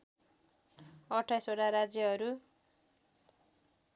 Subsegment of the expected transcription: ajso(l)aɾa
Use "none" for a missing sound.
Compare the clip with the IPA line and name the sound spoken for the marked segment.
ɽ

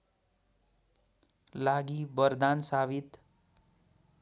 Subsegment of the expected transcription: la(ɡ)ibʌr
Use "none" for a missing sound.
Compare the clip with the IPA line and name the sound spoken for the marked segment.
ɡ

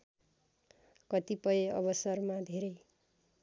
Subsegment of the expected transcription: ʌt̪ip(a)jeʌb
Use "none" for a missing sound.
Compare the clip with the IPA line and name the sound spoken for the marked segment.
ʌ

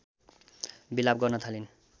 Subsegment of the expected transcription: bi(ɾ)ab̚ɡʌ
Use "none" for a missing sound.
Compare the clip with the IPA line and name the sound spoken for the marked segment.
l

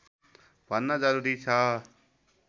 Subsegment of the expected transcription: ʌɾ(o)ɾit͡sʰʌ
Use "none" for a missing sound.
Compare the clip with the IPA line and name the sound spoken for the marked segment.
u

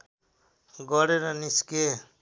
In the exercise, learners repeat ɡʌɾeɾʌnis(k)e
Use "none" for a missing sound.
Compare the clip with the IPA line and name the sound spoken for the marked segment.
k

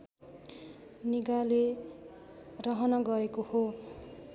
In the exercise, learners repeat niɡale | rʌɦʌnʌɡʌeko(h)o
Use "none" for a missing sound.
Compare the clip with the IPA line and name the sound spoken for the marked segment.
h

